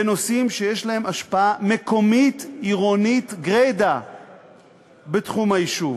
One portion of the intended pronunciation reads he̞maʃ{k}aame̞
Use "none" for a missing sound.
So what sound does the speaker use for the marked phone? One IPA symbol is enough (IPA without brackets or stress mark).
p